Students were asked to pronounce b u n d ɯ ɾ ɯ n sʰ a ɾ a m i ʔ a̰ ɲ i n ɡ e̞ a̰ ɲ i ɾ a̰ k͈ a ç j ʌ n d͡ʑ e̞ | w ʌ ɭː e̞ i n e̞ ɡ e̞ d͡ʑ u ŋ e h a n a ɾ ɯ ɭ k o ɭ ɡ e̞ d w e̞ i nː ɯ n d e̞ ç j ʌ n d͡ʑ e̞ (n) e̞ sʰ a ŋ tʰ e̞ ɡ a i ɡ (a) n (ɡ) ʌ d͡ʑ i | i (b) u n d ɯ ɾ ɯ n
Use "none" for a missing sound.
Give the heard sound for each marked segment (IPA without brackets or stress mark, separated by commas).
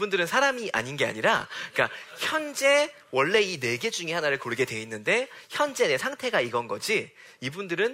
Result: n, ʌ, ɡ, b